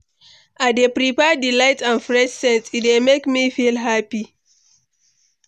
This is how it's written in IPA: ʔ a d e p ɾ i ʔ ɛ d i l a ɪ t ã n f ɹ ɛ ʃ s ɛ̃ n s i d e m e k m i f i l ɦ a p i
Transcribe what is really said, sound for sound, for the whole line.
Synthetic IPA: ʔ a d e p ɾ i p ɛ d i l a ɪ t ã n f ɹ ɛ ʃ s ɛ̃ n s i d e m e k m i f i l ɦ a p i